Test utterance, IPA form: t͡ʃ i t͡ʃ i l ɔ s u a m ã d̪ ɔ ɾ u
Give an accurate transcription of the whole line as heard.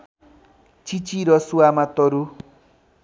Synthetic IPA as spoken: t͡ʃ i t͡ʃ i ɾ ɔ s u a m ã t̪ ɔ ɾ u